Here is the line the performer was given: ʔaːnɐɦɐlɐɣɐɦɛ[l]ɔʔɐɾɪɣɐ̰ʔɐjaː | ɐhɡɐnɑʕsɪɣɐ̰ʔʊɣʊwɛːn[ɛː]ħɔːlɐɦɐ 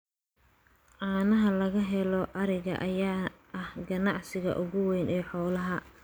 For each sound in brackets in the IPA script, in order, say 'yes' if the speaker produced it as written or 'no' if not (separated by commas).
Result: yes, yes